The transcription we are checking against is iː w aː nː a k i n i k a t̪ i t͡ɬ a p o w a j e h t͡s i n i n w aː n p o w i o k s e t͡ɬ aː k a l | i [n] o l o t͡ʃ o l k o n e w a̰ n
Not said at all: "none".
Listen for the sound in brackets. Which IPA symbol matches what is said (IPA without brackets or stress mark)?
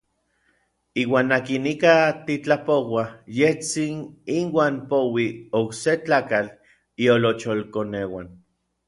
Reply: none